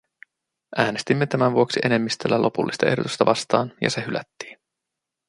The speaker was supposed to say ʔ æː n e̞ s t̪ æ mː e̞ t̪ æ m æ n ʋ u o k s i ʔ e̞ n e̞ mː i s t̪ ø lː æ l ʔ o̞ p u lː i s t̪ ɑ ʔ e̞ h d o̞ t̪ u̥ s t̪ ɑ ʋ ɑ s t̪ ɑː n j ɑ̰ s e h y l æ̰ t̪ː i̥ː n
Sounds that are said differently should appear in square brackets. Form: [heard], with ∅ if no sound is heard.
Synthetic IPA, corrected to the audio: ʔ æː n e̞ s t̪ [i] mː e̞ t̪ æ m æ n ʋ u o k s i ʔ e̞ n e̞ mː i s t̪ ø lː æ l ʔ o̞ p u lː i s t̪ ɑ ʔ e̞ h d o̞ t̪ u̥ s t̪ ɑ ʋ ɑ s t̪ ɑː n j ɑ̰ s e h y l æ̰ t̪ː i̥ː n